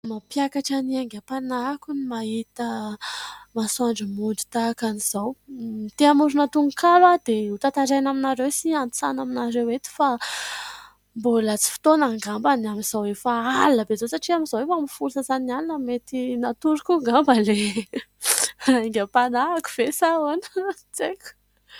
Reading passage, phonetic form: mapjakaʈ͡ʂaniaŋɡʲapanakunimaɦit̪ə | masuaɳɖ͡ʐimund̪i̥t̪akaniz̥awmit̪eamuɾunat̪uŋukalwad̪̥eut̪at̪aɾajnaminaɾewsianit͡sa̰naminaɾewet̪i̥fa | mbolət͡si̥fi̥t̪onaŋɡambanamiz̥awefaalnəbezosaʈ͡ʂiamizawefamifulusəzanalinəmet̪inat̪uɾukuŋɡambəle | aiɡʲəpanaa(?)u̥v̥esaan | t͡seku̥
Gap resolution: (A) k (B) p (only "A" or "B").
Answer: A